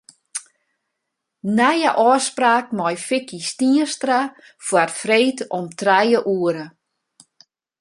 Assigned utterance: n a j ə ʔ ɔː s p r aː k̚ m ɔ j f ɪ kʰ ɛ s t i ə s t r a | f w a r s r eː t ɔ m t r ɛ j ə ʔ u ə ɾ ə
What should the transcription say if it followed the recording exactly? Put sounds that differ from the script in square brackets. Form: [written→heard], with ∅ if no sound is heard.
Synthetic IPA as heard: n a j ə ʔ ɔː s p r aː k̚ m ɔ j f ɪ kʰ [ɛ→i] s t i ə s t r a | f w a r [s→f] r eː t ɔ m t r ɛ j ə ʔ u ə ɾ ə